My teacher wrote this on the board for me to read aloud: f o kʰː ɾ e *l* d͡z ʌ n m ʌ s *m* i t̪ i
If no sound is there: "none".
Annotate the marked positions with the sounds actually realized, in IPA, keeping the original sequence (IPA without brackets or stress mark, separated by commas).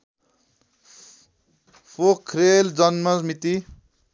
l, m